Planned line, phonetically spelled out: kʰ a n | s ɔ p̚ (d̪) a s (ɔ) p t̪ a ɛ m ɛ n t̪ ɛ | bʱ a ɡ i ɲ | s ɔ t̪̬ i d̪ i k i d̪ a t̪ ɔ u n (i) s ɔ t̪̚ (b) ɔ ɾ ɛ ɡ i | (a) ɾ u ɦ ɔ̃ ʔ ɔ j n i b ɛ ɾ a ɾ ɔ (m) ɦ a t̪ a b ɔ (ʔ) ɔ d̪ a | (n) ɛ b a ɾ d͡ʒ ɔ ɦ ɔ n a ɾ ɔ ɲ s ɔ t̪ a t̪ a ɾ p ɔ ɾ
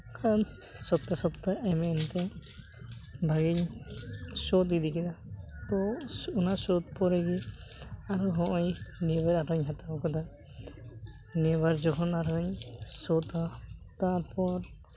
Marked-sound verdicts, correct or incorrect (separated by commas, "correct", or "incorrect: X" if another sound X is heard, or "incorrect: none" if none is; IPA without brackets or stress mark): incorrect: t̪, correct, incorrect: a, incorrect: p, correct, incorrect: ɲ, incorrect: k, correct